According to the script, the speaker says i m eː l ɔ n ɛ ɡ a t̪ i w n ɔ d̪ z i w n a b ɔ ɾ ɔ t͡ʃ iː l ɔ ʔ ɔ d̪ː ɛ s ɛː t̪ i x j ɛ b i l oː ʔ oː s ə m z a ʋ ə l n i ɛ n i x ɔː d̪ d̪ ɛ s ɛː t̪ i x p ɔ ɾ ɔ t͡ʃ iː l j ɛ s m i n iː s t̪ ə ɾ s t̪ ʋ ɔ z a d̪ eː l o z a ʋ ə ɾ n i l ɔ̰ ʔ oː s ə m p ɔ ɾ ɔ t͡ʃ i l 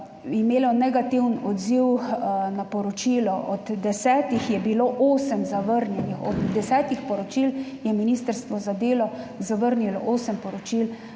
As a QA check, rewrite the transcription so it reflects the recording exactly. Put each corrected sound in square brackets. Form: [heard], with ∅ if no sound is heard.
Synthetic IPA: i m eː l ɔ n ɛ ɡ a t̪ i w n ɔ d̪ z i w n a [p] ɔ ɾ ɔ t͡ʃ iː l ɔ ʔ ɔ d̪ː ɛ s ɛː t̪ i x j ɛ b i l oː ʔ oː s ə m z a ʋ ə [ɾ] n [j] ɛ n i x [ɔ] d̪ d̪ ɛ s ɛː t̪ i x p ɔ ɾ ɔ t͡ʃ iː l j ɛ [∅] m i n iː s t̪ ə ɾ s t̪ ʋ ɔ z a d̪ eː l [ɔ] z a ʋ ə ɾ n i l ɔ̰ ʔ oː s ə m p ɔ ɾ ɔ t͡ʃ i l